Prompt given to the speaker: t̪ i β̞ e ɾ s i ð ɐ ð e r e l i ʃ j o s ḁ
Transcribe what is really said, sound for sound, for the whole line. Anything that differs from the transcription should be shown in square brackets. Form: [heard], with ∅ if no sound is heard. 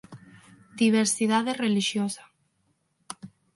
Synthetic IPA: [d̪] i β̞ e ɾ s i ð [a] ð e r e l i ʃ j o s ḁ